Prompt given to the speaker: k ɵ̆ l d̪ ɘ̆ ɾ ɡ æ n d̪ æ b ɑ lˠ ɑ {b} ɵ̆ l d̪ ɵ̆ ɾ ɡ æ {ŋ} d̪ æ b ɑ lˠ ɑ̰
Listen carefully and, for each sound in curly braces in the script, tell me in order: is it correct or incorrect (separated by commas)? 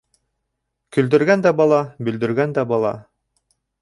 correct, incorrect